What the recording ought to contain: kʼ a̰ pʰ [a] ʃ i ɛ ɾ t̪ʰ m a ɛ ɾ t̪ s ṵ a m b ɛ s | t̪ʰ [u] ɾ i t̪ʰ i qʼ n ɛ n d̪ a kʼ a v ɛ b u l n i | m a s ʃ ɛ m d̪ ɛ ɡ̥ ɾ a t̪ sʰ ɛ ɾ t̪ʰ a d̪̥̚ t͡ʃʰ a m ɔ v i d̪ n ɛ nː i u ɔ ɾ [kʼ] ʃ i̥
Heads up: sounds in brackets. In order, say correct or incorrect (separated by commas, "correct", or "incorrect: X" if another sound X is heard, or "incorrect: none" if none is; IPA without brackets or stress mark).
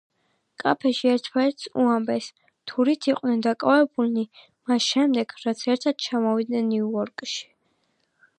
incorrect: ɛ, correct, correct